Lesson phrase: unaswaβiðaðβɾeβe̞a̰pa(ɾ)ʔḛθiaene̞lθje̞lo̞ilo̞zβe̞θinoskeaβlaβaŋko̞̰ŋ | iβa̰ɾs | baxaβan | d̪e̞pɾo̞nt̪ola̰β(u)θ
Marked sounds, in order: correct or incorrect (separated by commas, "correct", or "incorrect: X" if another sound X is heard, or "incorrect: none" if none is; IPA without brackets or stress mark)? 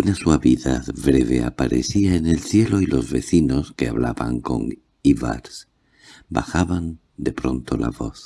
correct, incorrect: o